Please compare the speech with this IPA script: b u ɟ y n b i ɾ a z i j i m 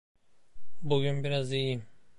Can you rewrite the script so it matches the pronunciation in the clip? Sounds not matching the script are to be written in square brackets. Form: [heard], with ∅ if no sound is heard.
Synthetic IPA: b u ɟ y n b i ɾ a z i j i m

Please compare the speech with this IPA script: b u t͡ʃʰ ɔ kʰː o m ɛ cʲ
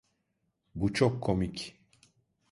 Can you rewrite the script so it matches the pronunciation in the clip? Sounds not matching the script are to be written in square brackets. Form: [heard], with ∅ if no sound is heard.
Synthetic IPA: b u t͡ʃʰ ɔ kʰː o m [i] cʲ

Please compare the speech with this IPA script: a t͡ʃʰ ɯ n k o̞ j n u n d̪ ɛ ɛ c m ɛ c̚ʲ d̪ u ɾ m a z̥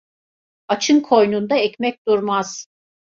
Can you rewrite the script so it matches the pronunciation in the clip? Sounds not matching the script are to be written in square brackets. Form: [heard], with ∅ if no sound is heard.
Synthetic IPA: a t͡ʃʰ ɯ n [kʰ] o̞ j n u n d̪ [a] ɛ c m ɛ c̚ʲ d̪ u ɾ m a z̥

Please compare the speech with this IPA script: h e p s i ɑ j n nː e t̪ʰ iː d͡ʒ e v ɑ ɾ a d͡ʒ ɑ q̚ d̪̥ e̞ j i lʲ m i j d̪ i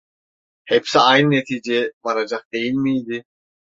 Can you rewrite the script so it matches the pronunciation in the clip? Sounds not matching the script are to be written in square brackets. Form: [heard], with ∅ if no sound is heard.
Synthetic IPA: h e p s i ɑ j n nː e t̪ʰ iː d͡ʒ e [b] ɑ ɾ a d͡ʒ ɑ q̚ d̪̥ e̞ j i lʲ m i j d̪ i

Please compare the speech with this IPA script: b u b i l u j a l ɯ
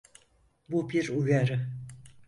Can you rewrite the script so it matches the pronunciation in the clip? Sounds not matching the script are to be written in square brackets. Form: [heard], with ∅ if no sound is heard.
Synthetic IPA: b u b i [ɾ] u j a [ɾ] ɯ

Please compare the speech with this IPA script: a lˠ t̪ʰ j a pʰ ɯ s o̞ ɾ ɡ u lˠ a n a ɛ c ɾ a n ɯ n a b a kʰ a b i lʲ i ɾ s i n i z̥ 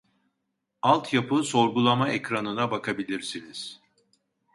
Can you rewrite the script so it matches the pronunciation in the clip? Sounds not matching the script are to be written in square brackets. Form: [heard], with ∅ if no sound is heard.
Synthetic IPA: a lˠ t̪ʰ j a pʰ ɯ s o̞ ɾ ɡ u lˠ a [m] a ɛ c ɾ a n ɯ n a b a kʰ a b i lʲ i ɾ s i n i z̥

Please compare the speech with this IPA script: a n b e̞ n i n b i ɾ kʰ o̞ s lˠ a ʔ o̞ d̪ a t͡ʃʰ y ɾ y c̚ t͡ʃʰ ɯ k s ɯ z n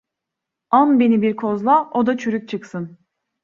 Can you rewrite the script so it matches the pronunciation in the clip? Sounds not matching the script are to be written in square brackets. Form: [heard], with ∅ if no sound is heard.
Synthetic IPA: a n b e̞ n i [∅] b i ɾ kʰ o̞ [z] lˠ a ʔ o̞ d̪ a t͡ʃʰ y ɾ y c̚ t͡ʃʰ ɯ k s ɯ [∅] n

